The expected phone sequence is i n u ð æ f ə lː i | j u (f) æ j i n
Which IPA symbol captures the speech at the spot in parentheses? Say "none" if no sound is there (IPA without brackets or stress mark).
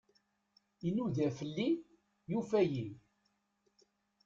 f